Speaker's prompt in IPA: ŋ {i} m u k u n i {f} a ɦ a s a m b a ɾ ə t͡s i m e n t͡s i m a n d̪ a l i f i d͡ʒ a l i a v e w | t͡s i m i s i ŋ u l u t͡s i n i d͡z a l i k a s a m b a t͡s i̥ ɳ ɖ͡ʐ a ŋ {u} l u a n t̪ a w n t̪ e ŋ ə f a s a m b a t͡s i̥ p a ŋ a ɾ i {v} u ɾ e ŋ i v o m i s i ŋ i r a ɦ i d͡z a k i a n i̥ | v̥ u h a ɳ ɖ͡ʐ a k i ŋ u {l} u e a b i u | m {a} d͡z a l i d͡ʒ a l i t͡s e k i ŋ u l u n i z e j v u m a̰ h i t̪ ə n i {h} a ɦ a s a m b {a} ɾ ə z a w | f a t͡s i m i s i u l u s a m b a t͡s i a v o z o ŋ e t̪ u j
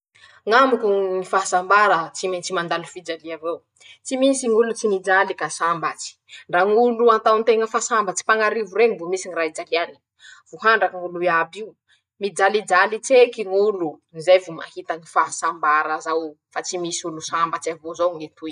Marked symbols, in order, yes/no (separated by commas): no, yes, yes, yes, yes, no, no, yes